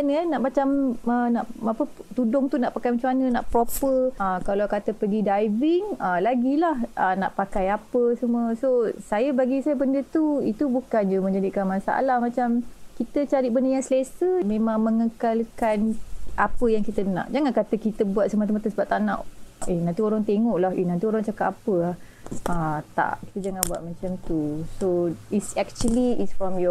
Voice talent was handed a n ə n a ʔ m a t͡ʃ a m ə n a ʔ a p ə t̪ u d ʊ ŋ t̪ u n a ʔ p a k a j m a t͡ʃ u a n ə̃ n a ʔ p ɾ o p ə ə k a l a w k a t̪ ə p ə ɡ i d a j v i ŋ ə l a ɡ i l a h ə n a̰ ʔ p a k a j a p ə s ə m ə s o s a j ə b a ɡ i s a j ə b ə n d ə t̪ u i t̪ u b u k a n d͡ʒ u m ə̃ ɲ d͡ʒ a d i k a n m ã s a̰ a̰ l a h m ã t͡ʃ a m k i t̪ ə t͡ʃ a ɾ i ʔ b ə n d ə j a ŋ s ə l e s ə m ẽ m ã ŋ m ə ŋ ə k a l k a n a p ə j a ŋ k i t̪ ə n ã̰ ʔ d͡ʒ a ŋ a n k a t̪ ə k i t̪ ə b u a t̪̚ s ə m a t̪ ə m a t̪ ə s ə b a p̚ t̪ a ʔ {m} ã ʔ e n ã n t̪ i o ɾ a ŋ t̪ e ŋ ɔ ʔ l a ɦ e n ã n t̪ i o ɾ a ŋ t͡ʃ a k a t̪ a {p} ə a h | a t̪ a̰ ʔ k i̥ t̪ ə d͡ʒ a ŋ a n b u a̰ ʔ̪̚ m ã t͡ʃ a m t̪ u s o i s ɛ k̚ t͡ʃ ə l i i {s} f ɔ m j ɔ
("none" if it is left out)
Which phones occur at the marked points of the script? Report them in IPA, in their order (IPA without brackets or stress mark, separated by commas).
n, p, s